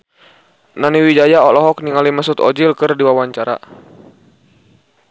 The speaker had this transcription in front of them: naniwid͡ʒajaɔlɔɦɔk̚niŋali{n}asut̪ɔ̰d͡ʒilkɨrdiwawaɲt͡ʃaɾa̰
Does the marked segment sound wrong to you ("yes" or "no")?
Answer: yes